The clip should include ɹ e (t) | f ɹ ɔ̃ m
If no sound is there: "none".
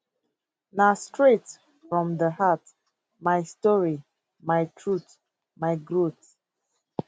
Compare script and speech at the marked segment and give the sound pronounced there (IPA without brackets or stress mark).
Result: t